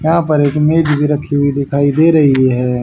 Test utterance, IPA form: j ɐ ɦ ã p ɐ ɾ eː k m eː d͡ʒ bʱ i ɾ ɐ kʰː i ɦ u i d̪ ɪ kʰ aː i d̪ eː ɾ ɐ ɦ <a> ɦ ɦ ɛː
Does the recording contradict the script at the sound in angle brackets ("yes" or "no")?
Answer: yes